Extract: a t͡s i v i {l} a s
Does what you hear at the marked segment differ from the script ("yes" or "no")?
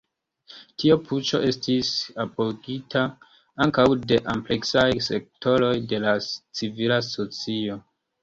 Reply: no